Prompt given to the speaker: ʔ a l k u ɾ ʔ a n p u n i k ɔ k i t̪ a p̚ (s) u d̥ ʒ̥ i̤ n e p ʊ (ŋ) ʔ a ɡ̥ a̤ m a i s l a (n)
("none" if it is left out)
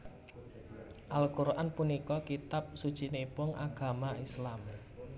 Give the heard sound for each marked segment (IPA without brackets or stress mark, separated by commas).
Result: s, ŋ, m